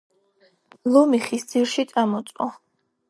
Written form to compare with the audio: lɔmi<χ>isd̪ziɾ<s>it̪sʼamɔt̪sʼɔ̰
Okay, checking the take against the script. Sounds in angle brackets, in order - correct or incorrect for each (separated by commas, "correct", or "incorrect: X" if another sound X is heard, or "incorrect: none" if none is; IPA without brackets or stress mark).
correct, incorrect: ʃ